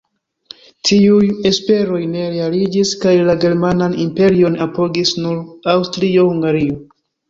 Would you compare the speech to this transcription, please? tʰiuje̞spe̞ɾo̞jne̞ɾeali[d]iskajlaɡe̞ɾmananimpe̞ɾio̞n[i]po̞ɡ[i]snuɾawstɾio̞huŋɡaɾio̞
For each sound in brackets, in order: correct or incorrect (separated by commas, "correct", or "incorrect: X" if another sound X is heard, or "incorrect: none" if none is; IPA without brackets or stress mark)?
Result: incorrect: d͡ʒ, incorrect: a, correct